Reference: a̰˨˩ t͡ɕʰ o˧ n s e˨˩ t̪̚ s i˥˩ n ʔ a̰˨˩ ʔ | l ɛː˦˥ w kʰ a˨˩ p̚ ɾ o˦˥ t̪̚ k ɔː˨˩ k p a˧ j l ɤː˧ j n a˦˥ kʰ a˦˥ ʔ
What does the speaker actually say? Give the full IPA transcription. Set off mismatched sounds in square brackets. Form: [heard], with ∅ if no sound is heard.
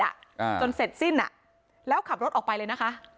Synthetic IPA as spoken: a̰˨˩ [t͡ɕ] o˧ n s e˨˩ t̪̚ s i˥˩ n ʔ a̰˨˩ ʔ | l ɛː˦˥ w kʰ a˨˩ p̚ ɾ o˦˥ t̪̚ [ʔ] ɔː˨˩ k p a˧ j l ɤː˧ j n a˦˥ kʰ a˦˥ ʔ

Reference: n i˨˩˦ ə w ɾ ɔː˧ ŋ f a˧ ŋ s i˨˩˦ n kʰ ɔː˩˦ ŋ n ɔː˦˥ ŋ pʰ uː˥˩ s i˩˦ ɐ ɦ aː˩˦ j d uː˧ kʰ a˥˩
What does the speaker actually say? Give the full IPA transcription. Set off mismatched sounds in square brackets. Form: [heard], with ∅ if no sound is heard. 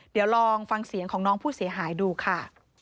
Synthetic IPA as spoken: [d] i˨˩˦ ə w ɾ ɔː˧ ŋ f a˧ ŋ s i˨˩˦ [ŋ] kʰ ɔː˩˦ ŋ n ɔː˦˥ ŋ pʰ uː˥˩ s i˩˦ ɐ ɦ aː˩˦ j d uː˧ kʰ a˥˩

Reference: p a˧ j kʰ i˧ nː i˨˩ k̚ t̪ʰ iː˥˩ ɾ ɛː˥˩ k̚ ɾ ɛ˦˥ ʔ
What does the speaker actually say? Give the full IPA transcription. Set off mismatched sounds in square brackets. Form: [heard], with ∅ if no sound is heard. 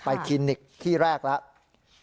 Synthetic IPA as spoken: p a˧ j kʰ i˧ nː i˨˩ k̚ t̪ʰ iː˥˩ ɾ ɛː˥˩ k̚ [l] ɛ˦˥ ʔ

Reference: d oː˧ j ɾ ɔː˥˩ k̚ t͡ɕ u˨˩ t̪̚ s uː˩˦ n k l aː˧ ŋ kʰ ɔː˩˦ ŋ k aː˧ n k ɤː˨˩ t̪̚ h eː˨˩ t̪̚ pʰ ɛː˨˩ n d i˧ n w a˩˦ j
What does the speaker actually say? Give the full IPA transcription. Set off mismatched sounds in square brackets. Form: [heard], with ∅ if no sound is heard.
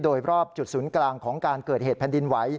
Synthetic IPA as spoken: d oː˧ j ɾ ɔː˥˩ [p̚] t͡ɕ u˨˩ t̪̚ s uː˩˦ n k l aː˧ ŋ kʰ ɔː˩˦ ŋ k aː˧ n k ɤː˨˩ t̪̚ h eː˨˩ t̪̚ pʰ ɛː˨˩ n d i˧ n w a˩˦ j

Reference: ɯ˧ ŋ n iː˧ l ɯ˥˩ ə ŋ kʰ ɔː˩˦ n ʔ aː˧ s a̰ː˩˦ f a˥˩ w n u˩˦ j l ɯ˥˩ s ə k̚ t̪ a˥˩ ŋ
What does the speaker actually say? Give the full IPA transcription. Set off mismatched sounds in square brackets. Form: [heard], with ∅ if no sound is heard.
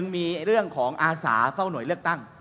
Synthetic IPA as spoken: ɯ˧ ŋ [m] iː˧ [ɾ] ɯ˥˩ ə ŋ kʰ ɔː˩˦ [ŋ] ʔ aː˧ s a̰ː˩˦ f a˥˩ w n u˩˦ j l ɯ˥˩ [∅] ə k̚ t̪ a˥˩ ŋ

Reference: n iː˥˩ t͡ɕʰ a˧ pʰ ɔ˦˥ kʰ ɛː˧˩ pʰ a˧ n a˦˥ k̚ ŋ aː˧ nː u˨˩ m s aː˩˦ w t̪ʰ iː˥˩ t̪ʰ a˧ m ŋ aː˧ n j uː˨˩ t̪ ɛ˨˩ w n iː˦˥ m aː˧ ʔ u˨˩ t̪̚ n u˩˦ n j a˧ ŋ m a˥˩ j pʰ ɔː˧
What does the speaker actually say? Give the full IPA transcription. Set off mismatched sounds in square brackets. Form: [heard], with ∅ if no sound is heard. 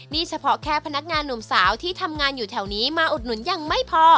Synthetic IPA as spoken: n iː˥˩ t͡ɕʰ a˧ pʰ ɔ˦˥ kʰ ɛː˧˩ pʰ a˧ n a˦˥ k̚ ŋ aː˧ nː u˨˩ m s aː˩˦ w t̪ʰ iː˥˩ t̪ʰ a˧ m ŋ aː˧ n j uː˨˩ [t̪ʰ] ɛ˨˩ w n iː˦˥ m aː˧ ʔ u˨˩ t̪̚ n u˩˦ n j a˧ ŋ m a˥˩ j pʰ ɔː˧

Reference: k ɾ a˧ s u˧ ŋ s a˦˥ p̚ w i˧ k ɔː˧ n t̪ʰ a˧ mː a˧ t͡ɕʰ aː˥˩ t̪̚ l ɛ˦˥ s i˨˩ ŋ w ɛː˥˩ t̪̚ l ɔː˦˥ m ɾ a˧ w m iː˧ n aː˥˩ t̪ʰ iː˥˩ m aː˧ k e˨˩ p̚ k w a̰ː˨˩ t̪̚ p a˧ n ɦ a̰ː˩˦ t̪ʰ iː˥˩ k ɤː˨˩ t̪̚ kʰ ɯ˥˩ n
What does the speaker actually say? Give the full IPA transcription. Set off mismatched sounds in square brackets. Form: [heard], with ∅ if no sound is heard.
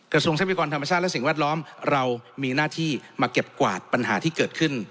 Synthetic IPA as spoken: k ɾ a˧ s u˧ ŋ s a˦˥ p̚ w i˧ k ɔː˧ n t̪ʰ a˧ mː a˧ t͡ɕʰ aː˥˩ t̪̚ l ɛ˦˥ s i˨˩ ŋ w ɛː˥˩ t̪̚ l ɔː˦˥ m ɾ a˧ w m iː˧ n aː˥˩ t̪ʰ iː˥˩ m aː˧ k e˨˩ p̚ k w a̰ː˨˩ t̪̚ p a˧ n ɦ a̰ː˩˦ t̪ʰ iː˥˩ k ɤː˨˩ t̪̚ kʰ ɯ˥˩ n

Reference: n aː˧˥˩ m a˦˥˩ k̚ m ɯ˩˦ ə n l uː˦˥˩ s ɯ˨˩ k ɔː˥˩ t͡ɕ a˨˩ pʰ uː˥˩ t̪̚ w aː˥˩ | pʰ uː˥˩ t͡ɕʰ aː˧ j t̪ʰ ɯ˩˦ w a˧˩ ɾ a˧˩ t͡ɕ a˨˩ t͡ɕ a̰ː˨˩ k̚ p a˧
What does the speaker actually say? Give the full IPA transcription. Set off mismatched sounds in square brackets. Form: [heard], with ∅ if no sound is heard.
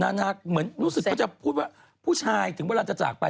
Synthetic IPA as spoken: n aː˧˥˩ [n] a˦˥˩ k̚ m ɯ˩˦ ə n [ɾ] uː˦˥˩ s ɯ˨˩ k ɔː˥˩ t͡ɕ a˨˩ pʰ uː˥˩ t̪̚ w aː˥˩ | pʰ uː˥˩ t͡ɕʰ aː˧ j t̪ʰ ɯ˩˦ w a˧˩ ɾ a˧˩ t͡ɕ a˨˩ t͡ɕ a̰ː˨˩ k̚ p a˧

